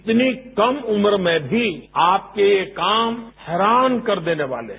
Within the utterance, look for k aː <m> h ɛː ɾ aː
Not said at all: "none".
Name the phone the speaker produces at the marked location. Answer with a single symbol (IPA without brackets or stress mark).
m